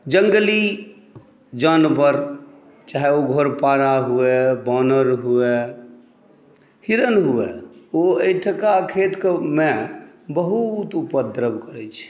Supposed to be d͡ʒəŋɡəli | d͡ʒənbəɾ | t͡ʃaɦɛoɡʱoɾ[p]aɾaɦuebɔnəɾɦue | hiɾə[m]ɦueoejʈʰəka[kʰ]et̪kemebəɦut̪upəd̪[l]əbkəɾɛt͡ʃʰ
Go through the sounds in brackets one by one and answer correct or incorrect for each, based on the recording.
correct, incorrect: n, correct, incorrect: ɾ

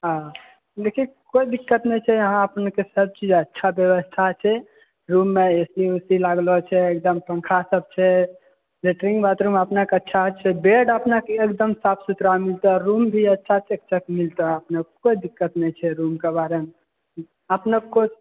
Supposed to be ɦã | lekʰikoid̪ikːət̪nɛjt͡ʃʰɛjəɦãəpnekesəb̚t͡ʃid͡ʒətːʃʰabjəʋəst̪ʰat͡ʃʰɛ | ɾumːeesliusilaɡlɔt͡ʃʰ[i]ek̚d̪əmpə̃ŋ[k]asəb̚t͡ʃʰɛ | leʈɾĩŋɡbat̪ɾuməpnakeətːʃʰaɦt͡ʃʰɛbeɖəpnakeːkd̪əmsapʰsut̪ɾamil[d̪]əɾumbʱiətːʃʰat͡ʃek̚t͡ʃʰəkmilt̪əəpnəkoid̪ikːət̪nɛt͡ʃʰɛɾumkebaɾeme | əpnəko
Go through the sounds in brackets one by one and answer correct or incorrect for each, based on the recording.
incorrect: ɛ, incorrect: kʰ, incorrect: t̪

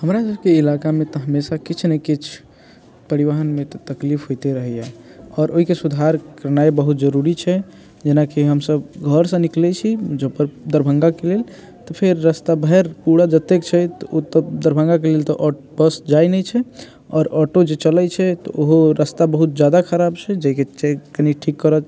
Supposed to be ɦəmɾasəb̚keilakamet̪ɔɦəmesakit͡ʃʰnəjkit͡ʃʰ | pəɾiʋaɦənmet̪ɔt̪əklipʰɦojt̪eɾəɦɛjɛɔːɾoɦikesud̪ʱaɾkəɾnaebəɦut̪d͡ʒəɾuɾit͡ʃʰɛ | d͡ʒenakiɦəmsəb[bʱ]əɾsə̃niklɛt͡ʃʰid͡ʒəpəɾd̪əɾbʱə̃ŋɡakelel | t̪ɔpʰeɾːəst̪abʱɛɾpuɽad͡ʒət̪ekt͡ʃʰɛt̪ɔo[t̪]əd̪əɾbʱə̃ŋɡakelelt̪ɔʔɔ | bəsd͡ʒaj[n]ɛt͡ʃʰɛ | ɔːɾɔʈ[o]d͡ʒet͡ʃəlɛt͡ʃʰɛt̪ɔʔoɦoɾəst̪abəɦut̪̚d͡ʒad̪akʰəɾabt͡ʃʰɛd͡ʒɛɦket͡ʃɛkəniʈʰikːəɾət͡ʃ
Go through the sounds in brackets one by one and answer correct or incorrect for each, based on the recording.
incorrect: ɡʱ, correct, correct, correct

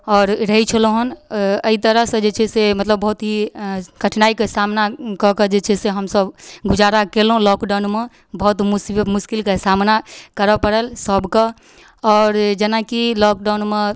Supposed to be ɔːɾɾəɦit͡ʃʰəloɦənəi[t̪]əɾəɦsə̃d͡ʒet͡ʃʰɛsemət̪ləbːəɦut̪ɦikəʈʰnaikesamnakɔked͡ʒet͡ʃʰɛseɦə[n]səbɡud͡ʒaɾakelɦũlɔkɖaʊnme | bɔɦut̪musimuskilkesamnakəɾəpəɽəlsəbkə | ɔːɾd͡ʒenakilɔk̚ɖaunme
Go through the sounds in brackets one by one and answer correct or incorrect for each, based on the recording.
correct, incorrect: m

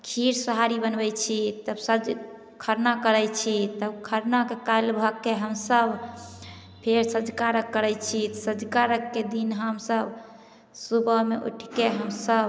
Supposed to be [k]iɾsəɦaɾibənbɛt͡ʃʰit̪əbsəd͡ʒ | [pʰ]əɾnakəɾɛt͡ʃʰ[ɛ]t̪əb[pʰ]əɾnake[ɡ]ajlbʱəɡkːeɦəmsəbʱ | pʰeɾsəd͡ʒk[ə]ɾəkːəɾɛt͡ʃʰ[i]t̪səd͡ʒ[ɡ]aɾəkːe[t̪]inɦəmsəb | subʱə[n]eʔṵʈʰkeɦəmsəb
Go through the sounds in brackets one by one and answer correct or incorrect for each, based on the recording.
incorrect: kʰ, incorrect: kʰ, incorrect: i, incorrect: kʰ, incorrect: k, incorrect: a, correct, incorrect: k, incorrect: d̪, incorrect: m

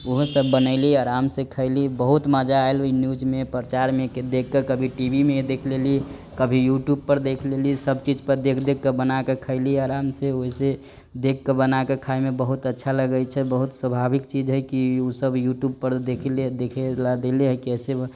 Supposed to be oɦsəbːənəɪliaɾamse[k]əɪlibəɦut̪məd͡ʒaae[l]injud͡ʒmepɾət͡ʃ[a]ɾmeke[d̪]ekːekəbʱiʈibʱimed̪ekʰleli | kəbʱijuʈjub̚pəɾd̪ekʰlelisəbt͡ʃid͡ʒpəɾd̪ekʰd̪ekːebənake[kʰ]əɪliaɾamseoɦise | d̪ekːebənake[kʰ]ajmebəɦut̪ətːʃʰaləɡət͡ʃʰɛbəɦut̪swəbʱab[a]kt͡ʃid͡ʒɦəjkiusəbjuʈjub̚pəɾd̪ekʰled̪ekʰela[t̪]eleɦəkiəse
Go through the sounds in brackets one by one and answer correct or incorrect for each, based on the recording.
incorrect: kʰ, correct, correct, correct, correct, correct, incorrect: i, incorrect: d̪

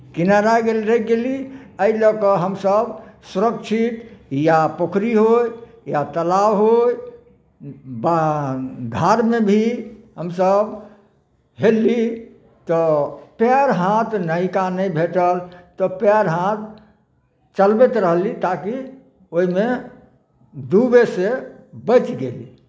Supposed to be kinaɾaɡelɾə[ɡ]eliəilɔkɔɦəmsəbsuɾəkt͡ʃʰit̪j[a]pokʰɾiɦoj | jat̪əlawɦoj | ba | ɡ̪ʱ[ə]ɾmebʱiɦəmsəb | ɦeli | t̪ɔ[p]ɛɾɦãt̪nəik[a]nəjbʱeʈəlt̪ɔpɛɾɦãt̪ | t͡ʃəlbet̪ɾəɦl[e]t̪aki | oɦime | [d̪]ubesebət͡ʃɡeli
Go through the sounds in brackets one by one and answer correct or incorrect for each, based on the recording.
correct, correct, incorrect: a, correct, correct, incorrect: i, correct

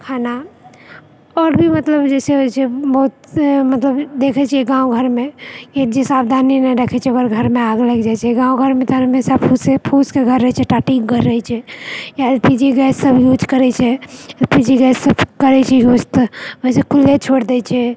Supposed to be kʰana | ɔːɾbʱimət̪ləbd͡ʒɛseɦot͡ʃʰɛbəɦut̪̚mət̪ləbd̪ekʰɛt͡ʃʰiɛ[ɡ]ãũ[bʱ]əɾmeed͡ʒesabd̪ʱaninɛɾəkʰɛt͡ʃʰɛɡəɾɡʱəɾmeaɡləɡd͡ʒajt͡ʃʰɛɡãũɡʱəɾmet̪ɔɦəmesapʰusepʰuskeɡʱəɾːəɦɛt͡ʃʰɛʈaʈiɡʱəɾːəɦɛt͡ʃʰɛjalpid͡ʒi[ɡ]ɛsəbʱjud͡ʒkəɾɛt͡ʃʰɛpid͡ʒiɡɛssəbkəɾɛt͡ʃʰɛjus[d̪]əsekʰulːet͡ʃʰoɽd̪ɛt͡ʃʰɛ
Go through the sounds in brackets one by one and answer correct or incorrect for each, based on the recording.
correct, incorrect: ɡʱ, correct, incorrect: t̪

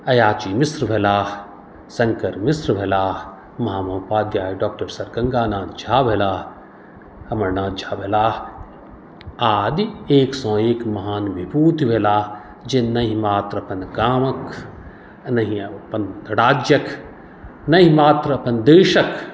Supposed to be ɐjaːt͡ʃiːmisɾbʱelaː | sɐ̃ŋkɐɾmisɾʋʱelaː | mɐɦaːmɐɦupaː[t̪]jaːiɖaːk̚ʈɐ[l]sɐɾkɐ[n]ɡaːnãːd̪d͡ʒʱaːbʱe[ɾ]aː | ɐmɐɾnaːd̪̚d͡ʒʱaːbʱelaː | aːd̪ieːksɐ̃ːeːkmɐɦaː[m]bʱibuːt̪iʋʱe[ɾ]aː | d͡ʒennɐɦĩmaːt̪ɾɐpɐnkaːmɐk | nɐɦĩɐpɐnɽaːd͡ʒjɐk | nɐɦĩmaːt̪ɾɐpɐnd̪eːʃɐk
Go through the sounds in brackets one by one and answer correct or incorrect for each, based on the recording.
incorrect: d̪, incorrect: ɾ, incorrect: ŋ, incorrect: l, incorrect: n, incorrect: l

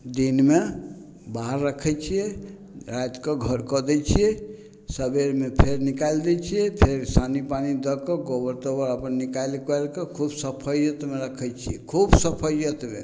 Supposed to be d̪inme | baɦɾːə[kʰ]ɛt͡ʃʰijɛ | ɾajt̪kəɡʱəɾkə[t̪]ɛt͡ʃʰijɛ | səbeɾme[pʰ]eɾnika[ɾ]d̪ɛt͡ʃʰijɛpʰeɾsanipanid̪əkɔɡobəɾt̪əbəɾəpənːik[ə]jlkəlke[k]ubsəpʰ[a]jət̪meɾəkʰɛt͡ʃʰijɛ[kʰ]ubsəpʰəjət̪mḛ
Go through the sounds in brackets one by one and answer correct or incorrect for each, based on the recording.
correct, incorrect: d̪, correct, incorrect: l, incorrect: a, incorrect: kʰ, incorrect: ə, correct

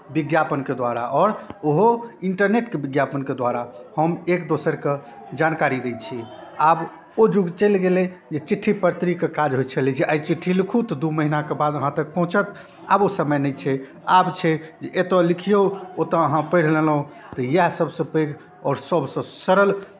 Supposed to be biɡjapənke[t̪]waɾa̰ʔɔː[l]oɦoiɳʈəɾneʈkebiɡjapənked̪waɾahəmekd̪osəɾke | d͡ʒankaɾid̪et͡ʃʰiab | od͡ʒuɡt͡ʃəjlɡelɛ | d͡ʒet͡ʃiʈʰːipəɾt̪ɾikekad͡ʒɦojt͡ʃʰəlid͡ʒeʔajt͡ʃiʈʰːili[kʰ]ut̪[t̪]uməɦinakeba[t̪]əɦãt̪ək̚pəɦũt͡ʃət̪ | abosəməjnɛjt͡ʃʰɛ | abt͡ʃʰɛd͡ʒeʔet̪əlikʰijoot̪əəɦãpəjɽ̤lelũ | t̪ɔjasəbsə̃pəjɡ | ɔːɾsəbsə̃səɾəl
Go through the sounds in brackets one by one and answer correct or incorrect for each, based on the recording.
incorrect: d̪, incorrect: ɾ, correct, incorrect: d̪, incorrect: d̪

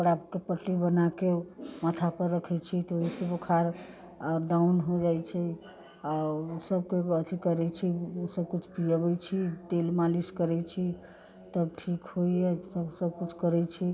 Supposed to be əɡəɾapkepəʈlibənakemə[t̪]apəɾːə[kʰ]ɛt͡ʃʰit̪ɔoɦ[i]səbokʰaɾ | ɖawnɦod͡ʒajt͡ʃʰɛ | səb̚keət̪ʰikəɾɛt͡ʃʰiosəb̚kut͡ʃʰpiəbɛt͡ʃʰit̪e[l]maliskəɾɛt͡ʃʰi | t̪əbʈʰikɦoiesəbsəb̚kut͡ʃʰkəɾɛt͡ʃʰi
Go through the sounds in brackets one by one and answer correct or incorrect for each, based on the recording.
incorrect: t̪ʰ, correct, correct, correct

